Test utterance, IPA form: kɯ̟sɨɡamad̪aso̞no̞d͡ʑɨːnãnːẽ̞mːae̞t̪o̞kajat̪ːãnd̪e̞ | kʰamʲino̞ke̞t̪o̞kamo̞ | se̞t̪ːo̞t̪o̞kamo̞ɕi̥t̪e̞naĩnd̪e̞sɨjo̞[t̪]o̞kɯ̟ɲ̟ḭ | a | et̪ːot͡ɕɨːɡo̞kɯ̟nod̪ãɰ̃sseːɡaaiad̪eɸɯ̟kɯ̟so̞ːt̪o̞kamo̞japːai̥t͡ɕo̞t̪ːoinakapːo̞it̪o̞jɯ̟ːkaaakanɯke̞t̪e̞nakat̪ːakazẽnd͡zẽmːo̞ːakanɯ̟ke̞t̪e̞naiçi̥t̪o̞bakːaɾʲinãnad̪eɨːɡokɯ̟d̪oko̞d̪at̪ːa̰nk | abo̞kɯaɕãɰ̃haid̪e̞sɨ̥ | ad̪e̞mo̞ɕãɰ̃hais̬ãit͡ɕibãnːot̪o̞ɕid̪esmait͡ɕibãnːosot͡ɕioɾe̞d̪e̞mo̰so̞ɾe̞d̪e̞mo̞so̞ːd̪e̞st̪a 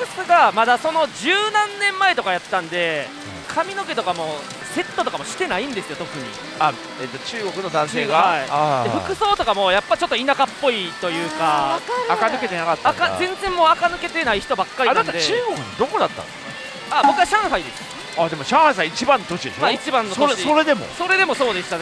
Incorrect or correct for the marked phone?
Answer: correct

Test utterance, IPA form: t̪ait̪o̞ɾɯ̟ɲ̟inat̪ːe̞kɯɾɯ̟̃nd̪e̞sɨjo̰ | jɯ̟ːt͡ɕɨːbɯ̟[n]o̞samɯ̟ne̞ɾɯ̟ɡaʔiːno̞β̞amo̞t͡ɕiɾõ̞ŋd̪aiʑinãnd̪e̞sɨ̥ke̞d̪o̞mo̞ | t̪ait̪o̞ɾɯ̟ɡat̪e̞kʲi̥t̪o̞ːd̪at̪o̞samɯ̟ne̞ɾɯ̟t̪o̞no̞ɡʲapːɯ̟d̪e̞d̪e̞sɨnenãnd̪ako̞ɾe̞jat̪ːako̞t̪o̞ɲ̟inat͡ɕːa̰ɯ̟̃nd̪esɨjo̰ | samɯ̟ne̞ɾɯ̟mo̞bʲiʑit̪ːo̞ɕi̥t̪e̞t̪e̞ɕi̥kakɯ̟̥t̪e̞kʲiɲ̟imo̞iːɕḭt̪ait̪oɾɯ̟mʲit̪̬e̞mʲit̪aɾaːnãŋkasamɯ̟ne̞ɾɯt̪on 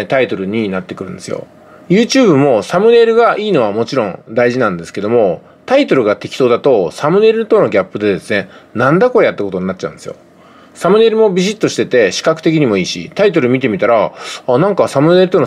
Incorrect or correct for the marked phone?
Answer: incorrect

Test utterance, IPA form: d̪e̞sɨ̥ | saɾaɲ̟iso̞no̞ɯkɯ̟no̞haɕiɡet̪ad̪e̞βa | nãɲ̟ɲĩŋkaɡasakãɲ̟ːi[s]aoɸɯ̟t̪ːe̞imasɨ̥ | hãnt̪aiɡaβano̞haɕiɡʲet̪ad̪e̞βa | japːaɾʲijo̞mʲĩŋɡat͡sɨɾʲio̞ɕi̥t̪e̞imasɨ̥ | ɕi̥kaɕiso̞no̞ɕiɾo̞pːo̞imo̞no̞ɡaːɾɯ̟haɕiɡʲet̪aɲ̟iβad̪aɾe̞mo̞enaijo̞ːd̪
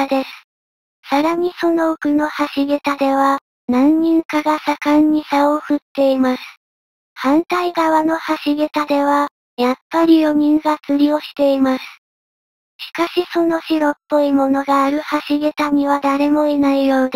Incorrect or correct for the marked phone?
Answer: correct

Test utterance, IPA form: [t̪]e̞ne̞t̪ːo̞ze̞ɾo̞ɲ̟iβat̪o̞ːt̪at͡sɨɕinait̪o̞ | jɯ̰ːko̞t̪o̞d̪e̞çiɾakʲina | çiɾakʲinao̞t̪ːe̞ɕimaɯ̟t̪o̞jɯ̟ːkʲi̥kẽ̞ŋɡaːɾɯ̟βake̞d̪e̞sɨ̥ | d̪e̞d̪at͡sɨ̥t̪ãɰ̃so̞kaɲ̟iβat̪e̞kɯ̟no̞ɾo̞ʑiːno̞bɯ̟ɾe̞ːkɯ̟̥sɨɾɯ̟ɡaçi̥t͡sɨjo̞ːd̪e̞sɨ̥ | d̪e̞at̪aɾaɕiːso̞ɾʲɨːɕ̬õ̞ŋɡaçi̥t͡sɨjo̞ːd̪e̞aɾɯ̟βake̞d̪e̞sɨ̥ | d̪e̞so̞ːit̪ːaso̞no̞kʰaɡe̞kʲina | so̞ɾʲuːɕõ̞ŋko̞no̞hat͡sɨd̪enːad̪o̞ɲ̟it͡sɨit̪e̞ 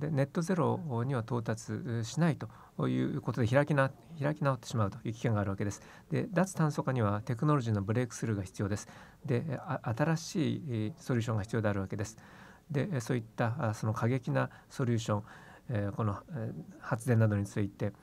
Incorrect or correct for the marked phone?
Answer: incorrect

